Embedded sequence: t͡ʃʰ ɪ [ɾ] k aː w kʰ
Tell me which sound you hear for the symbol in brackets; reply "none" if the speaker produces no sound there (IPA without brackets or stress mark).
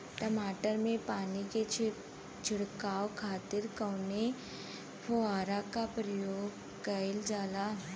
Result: ɽ